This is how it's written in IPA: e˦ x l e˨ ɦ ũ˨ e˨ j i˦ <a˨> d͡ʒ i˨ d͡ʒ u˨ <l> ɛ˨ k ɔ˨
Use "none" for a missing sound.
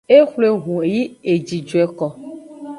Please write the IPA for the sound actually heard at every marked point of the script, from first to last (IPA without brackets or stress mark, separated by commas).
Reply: e˨, none